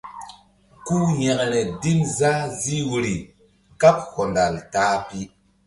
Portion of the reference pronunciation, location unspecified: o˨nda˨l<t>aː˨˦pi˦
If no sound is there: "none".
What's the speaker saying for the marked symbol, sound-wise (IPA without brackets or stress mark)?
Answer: t